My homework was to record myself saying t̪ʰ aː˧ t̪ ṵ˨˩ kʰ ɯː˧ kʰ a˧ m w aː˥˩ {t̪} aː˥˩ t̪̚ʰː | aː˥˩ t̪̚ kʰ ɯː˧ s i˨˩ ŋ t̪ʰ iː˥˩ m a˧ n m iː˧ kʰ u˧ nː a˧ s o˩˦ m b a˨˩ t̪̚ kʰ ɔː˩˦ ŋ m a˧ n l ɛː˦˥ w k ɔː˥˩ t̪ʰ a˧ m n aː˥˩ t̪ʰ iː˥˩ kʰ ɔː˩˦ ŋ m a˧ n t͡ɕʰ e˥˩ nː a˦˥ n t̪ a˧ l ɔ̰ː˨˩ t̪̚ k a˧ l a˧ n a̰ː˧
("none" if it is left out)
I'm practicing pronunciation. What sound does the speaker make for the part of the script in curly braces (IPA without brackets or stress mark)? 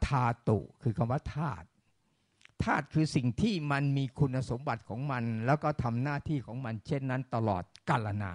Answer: t̪ʰ